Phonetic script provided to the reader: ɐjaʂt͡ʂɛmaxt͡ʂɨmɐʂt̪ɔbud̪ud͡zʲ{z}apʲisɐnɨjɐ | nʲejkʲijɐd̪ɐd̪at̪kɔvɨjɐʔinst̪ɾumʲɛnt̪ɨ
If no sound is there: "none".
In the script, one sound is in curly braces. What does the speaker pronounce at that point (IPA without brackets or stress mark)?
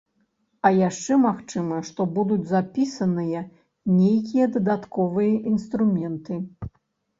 z